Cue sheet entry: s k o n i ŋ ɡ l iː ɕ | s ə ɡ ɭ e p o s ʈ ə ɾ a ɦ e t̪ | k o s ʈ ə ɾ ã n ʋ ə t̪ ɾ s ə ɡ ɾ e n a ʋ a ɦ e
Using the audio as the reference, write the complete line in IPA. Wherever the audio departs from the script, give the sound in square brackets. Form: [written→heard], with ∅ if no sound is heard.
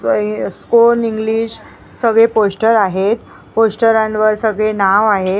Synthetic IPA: s k o n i ŋ ɡ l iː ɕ | s ə ɡ ɭ e p o s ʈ ə ɾ a ɦ e t̪ | [k→p] o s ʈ ə ɾ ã n ʋ ə [t̪→∅] ɾ s ə ɡ [ɾ→ɭ] e n a ʋ a ɦ e